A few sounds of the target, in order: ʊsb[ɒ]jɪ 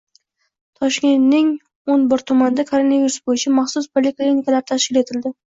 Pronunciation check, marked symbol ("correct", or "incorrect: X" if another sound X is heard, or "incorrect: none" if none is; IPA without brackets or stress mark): incorrect: o